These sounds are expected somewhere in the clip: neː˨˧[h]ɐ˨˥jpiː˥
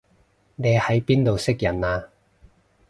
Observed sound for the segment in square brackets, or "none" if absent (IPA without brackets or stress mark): h